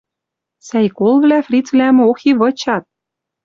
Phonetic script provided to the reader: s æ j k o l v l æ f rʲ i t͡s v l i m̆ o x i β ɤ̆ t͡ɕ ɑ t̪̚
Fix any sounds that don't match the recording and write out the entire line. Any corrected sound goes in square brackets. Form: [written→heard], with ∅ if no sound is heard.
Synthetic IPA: s æ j k o l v l æ f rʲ i t͡s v l [i→æ] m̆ o x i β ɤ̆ t͡ɕ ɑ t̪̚